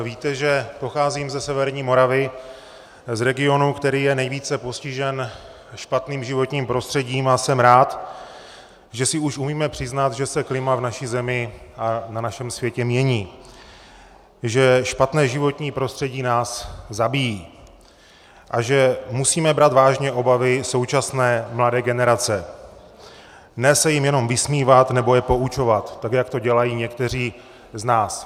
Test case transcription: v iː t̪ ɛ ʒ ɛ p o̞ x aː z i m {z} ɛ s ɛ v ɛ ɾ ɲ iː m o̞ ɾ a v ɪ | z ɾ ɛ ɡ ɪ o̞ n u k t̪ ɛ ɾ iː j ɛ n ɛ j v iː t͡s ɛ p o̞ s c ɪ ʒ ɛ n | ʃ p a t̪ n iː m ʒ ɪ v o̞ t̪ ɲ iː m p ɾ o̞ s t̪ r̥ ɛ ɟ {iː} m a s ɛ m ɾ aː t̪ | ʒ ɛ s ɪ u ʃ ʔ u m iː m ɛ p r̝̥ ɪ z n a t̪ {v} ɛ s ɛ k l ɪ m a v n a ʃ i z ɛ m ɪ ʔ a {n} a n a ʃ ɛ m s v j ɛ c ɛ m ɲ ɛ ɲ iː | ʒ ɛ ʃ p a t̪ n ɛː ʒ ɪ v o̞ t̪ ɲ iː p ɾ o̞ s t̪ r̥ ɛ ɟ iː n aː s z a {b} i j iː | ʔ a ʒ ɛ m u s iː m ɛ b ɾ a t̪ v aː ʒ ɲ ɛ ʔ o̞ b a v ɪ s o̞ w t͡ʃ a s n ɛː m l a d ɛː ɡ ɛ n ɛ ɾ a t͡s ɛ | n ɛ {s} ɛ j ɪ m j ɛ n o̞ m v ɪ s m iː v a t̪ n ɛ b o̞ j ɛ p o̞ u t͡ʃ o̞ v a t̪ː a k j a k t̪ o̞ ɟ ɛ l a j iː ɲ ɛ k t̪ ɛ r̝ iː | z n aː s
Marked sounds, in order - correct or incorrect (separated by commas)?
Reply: correct, correct, incorrect, correct, correct, correct